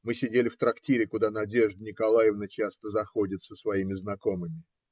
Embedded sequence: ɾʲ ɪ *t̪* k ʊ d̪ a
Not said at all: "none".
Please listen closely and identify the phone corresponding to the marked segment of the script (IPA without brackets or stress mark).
none